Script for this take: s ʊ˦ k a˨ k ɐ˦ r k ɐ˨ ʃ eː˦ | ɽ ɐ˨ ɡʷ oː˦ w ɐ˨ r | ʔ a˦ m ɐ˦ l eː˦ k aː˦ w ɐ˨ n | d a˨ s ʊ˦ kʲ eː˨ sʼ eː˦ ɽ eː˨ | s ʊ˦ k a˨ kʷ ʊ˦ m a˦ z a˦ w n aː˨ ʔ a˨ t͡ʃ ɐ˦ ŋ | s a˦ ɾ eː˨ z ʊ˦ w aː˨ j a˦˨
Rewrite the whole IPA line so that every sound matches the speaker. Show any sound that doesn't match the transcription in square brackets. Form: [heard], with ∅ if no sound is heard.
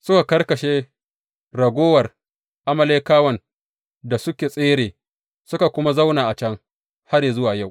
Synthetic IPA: s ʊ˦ k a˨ k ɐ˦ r k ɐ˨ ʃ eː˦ | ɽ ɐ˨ ɡʷ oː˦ w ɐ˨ r | ʔ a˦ m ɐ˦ l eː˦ k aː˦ w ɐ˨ n | d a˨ s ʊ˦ kʲ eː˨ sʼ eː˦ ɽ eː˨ | s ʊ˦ k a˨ kʷ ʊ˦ m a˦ z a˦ w n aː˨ ʔ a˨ t͡ʃ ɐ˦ ŋ | [h] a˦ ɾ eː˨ z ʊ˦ w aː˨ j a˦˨